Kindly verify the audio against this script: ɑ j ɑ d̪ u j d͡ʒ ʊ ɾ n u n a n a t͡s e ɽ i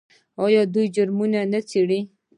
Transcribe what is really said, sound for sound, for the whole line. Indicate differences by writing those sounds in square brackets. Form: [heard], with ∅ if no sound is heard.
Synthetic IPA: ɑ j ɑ d̪ u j d͡ʒ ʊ ɾ [m] u n a n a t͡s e ɽ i